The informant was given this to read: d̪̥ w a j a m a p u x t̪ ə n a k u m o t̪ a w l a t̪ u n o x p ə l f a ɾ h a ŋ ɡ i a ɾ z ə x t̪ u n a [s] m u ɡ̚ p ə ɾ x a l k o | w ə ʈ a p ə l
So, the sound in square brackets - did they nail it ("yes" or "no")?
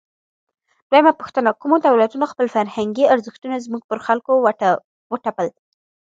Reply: no